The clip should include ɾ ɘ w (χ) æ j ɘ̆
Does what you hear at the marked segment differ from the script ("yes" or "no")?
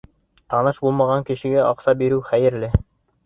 no